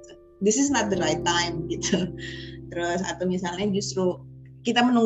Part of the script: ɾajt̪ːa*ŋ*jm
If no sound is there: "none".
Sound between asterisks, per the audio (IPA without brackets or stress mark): none